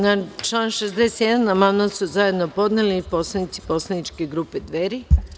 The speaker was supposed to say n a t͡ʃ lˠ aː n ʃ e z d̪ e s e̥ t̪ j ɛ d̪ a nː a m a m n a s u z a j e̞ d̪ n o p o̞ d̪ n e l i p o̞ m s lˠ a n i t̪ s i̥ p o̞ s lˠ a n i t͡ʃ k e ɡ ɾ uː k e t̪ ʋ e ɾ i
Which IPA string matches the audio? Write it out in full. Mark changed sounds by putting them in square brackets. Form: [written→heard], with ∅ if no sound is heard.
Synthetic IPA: n a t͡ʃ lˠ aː n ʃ e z d̪ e s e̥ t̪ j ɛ d̪ a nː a m a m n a s u z a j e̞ d̪ n o p o̞ d̪ n e l i p o̞ [m→∅] s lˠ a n i t̪ s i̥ p o̞ s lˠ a n i t͡ʃ k e ɡ ɾ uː [k→p] e [t̪→d̪] ʋ e ɾ i